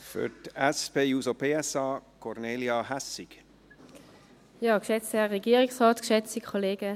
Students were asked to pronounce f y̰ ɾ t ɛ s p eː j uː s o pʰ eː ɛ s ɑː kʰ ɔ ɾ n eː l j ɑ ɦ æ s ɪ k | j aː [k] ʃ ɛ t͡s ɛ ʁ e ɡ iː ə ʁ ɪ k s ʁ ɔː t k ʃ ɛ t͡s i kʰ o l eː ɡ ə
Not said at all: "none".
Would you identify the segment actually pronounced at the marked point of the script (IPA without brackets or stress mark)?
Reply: k